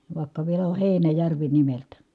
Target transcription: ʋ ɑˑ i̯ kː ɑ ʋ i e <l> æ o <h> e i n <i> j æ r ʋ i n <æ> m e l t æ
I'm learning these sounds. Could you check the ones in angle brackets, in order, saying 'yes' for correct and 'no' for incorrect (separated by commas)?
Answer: yes, yes, no, no